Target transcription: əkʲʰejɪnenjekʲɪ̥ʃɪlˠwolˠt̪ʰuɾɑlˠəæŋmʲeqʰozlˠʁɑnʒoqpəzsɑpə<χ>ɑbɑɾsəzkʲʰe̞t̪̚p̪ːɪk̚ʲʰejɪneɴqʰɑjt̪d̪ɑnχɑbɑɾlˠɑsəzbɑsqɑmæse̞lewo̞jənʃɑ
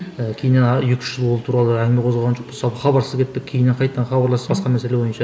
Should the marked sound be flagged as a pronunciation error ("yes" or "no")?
no